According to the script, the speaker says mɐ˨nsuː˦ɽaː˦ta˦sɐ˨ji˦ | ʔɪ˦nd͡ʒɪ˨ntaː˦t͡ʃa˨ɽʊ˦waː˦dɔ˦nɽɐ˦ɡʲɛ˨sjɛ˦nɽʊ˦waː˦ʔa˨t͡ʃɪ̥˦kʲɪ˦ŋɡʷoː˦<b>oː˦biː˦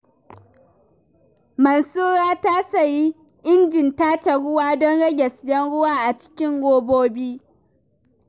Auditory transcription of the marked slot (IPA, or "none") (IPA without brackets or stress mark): b